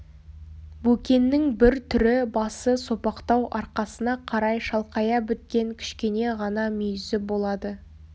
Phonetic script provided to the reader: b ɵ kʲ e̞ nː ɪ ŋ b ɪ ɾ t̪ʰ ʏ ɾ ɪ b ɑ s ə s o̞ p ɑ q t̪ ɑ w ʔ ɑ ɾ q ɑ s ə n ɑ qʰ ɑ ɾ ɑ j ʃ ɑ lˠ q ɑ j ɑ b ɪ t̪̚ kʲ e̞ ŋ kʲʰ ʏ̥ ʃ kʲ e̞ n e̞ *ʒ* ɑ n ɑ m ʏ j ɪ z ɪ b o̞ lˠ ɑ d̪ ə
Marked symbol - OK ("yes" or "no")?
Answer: no